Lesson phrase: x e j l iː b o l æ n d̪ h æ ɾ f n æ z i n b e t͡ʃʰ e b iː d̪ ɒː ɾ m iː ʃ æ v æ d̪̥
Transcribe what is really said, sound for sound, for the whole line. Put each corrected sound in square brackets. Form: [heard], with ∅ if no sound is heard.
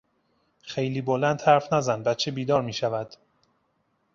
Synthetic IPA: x e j l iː b o l æ n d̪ h æ ɾ f n æ z [æ] n b [æ] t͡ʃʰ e b iː d̪ ɒː ɾ m iː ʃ æ v æ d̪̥